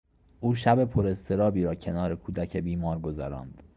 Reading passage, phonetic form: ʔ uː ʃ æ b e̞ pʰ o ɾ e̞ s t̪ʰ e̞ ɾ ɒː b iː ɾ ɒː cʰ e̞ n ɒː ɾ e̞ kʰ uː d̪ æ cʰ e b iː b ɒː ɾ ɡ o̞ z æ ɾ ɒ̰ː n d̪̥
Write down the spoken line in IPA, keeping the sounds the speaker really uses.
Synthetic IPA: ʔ uː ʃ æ b e̞ pʰ o ɾ e̞ s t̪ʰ e̞ ɾ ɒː b iː ɾ ɒː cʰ e̞ n ɒː ɾ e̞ kʰ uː d̪ æ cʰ e b iː m ɒː ɾ ɡ o̞ z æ ɾ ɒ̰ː n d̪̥